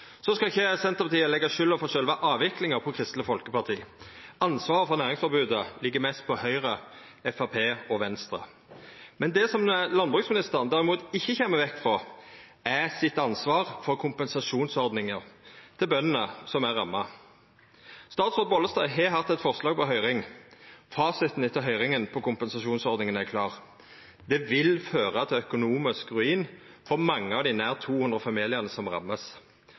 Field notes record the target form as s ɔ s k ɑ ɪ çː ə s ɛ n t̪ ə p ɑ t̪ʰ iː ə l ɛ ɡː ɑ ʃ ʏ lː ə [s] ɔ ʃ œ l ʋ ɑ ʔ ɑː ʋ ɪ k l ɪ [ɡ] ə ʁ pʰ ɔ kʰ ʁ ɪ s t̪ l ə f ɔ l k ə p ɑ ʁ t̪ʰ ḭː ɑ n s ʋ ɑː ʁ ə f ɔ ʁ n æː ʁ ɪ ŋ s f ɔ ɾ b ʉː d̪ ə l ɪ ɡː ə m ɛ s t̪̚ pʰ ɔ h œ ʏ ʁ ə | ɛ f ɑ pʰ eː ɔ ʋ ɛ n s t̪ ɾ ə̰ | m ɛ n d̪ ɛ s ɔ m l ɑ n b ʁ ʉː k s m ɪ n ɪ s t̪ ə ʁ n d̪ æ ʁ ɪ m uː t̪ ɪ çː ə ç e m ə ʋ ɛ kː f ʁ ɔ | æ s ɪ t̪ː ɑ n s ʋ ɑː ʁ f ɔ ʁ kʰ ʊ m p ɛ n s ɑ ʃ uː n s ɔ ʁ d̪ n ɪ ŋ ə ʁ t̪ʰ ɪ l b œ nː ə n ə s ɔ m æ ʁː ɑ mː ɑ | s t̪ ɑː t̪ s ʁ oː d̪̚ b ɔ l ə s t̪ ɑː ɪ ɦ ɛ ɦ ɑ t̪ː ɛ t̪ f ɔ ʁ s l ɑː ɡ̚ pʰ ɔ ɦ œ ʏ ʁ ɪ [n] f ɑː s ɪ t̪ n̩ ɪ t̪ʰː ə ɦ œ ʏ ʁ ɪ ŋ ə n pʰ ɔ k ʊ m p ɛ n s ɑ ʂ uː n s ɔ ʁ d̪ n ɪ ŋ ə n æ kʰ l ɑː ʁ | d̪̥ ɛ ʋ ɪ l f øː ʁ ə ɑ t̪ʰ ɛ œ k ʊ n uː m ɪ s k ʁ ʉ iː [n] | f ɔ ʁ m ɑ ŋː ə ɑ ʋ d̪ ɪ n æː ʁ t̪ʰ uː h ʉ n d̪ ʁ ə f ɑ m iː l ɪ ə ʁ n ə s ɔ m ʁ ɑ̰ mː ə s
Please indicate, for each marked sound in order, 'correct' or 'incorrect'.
incorrect: f, incorrect: ŋ, incorrect: ŋ, correct

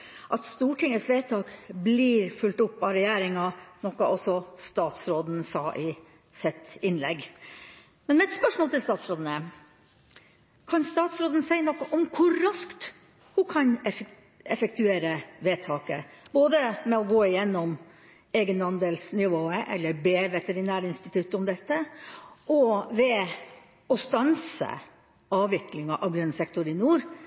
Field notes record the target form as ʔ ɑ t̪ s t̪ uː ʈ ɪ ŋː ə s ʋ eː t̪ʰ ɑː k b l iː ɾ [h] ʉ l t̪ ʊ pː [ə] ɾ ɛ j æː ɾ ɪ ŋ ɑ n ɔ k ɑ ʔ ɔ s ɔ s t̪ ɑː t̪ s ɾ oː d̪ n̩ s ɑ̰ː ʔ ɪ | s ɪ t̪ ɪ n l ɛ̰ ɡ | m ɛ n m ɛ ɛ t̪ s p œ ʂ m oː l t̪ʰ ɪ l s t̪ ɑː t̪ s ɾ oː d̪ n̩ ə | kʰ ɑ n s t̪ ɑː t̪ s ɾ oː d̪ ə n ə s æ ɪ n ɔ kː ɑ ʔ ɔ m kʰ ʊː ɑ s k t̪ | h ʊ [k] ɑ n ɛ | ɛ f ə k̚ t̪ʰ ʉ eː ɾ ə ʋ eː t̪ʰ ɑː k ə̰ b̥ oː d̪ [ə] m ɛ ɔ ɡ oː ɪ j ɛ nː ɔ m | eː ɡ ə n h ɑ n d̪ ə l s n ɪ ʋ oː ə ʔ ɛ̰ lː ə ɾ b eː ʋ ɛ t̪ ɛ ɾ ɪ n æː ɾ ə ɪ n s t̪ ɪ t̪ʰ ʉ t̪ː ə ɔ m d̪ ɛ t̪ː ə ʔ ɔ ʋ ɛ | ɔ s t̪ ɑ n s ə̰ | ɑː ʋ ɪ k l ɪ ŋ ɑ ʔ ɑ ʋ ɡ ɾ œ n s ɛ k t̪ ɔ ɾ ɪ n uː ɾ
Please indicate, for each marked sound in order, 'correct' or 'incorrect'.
incorrect: f, incorrect: ɑ, incorrect: kʰ, correct

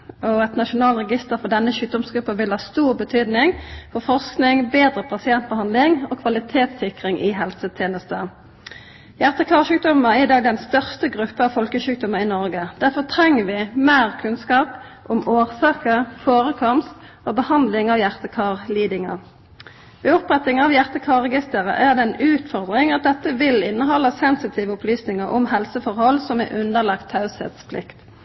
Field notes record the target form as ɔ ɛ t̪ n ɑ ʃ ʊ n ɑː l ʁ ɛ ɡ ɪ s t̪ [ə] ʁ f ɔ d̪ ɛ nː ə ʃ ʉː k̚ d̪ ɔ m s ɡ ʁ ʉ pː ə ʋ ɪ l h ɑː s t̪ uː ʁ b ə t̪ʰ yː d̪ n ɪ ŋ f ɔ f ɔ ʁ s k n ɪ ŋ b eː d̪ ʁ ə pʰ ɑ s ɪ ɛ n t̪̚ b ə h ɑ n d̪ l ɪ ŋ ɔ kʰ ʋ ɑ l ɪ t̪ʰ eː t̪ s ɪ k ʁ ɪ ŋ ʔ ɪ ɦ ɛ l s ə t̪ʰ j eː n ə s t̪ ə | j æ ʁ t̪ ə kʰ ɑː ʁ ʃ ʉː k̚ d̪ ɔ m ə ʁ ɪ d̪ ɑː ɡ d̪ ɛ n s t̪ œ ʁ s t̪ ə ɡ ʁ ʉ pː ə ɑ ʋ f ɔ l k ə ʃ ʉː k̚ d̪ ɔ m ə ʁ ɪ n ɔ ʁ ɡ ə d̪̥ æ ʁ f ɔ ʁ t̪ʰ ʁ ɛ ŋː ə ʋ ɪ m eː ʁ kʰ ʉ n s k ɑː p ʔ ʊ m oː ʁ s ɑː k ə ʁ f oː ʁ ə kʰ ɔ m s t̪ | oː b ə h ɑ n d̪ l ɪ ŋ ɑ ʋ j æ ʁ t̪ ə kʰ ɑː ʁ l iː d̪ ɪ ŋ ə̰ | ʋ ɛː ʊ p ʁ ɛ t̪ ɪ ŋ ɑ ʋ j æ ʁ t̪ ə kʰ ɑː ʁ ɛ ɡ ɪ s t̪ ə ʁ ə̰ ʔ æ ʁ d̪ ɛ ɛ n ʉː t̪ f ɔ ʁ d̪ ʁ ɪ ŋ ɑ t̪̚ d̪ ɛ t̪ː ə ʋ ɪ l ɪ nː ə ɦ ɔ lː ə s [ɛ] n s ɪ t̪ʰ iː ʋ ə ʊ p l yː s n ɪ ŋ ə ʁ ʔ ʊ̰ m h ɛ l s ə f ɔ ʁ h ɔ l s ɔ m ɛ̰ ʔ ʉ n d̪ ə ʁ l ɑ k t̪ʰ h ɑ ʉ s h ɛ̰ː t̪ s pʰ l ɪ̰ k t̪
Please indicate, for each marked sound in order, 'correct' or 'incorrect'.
correct, correct

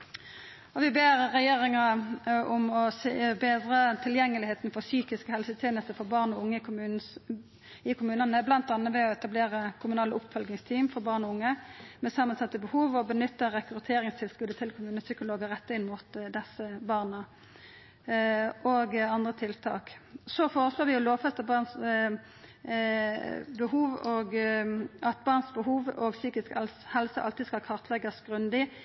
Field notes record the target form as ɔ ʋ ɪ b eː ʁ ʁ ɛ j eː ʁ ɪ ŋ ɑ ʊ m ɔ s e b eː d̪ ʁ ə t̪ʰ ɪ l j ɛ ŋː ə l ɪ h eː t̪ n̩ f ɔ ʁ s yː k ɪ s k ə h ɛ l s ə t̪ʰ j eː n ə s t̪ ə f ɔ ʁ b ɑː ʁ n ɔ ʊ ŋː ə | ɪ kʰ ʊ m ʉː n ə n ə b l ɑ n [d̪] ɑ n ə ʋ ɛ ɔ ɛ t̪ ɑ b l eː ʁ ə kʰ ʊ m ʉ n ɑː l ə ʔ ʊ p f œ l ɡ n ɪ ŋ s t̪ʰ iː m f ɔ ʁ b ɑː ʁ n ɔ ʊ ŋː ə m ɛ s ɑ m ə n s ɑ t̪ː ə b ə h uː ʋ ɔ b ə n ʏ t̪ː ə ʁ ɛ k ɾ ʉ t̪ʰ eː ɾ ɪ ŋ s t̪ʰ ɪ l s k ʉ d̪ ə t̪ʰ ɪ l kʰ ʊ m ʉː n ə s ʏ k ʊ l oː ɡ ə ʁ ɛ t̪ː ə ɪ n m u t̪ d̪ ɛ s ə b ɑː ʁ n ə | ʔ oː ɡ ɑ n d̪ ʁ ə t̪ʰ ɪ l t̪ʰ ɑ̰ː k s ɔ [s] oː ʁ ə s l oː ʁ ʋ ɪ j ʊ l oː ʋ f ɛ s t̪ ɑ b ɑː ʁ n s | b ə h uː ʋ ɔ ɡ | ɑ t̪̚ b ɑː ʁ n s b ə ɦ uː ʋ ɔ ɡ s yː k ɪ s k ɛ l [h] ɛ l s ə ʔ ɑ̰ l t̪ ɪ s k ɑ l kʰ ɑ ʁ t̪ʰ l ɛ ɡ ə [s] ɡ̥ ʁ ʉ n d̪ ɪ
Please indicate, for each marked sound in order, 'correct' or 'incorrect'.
incorrect: t̪, incorrect: f, correct, correct

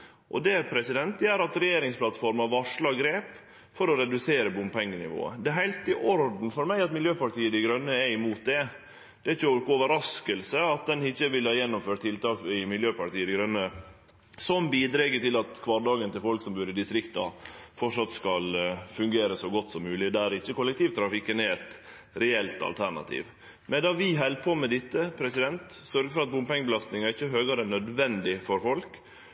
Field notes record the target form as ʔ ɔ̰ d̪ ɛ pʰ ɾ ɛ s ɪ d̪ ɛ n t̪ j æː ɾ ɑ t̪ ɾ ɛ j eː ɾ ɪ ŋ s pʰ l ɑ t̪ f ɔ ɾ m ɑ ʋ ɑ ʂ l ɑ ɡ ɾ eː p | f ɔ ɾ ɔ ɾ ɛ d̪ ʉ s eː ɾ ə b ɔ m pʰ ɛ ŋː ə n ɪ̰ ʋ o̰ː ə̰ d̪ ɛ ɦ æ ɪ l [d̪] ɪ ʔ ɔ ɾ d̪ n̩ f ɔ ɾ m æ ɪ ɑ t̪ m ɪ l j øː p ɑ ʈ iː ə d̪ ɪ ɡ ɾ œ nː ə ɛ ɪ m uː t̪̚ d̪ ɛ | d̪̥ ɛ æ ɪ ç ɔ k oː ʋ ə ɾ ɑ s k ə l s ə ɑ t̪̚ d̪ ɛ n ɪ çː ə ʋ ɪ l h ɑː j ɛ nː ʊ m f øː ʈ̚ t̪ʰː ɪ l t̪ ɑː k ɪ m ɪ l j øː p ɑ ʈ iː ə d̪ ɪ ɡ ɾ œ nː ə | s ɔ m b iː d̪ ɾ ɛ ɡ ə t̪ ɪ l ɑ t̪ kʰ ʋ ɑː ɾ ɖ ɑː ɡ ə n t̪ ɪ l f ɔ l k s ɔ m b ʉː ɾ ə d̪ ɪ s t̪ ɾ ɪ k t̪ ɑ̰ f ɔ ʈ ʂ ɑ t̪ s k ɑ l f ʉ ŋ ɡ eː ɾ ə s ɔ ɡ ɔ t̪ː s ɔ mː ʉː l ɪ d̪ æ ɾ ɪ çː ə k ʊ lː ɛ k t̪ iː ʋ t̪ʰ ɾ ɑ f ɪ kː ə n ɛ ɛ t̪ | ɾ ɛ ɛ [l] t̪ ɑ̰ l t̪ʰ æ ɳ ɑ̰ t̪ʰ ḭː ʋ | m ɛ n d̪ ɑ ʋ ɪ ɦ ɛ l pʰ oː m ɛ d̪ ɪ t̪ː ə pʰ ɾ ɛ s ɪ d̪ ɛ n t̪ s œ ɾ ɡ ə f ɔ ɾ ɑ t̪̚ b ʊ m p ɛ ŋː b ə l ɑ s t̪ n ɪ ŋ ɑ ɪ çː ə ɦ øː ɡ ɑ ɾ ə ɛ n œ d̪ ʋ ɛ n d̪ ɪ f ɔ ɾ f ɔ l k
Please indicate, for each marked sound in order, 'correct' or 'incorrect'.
incorrect: t̪, correct

